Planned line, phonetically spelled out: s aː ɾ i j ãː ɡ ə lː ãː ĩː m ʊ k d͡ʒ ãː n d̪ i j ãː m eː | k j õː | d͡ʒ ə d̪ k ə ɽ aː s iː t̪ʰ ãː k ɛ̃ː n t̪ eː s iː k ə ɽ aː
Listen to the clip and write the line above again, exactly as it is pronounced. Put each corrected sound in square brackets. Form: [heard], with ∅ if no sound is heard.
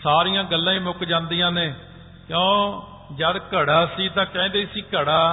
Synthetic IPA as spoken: s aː ɾ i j ãː ɡ ə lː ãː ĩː m ʊ k d͡ʒ ãː n d̪ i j ãː [n] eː | k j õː | d͡ʒ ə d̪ k ə ɽ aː s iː [t̪] ãː k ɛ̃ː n [d̪] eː s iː k ə ɽ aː